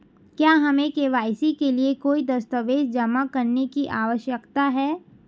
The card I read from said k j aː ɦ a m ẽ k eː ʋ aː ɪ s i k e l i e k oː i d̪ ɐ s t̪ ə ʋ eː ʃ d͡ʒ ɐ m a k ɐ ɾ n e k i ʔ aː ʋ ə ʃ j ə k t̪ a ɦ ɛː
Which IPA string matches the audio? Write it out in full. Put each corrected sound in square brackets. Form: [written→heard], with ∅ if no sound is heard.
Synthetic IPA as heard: k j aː ɦ [a→ɐ] m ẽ k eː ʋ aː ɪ s i k e l i e k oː i d̪ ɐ s t̪ ə ʋ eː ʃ d͡ʒ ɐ m a k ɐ ɾ n e k i ʔ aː ʋ ə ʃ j ə k t̪ a ɦ ɛː